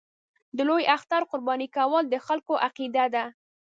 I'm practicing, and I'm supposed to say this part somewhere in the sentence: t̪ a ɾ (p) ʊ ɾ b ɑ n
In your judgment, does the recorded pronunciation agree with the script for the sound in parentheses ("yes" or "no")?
no